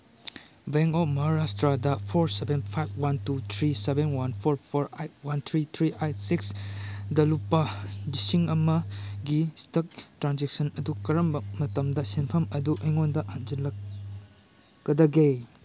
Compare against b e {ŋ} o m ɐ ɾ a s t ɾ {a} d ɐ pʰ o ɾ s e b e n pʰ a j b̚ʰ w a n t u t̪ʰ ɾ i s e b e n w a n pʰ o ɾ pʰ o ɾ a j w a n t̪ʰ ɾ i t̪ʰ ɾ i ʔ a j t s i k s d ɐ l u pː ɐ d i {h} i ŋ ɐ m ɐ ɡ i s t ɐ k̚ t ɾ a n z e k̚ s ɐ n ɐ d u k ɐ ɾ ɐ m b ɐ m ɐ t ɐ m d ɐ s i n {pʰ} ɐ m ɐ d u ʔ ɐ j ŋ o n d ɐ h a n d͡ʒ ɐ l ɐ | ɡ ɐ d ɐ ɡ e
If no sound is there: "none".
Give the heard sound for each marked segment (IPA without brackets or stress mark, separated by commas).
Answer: ŋ, a, s, pʰ